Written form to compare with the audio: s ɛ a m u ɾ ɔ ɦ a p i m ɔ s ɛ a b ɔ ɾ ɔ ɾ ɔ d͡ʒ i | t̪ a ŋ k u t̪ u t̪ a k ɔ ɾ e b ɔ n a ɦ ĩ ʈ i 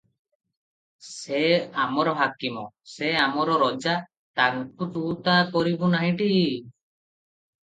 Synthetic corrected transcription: s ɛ a m ɔ ɾ ɔ ɦ a k i m ɔ s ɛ a m ɔ ɾ ɔ ɾ ɔ d͡ʒ a | t̪ a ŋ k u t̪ u t̪ a k ɔ ɾ i b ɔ n a ɦ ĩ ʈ i